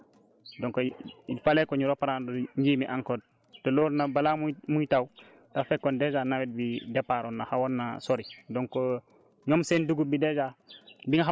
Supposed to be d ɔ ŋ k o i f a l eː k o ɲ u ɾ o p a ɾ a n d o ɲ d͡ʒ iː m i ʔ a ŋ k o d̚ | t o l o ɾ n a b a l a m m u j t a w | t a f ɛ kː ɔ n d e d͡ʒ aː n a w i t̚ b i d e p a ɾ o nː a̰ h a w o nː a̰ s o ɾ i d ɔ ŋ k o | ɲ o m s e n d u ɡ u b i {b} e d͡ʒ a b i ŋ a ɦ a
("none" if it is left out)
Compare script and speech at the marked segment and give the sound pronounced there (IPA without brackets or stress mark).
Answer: d